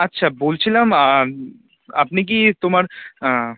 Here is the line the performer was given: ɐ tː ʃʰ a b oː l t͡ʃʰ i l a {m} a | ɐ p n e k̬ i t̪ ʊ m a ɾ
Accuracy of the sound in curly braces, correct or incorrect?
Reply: correct